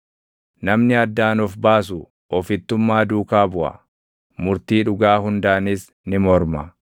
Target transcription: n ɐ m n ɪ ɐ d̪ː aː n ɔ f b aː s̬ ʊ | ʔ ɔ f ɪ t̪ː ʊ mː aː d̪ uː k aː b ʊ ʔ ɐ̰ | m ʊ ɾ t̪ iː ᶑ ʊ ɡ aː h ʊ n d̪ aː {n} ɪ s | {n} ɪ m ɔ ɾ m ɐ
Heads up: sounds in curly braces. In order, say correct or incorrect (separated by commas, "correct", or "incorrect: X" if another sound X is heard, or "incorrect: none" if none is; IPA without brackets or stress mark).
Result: correct, correct